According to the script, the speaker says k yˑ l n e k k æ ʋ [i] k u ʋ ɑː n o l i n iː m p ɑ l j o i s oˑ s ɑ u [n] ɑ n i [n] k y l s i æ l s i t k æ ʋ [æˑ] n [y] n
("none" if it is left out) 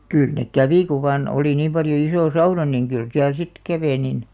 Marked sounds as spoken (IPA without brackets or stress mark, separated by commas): i, n, ŋ, eˑ, i